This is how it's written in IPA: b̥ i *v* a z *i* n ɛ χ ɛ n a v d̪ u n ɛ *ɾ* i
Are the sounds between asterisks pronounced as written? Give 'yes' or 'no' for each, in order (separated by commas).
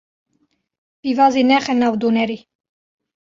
yes, yes, yes